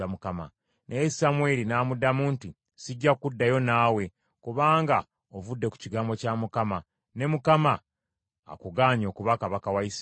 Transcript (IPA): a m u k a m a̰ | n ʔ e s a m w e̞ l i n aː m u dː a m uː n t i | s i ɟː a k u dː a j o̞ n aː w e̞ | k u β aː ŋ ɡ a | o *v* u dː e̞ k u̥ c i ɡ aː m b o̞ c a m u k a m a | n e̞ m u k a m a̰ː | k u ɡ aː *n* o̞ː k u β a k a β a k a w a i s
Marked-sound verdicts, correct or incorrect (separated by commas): correct, incorrect